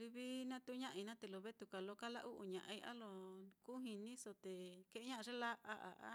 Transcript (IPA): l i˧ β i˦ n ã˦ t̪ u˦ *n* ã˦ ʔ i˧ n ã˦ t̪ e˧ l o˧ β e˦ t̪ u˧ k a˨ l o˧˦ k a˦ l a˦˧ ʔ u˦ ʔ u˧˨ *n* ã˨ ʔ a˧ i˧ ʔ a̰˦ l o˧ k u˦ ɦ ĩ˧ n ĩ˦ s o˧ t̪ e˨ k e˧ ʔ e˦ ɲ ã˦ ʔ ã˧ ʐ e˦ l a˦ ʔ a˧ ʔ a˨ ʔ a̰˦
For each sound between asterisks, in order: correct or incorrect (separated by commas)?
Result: incorrect, incorrect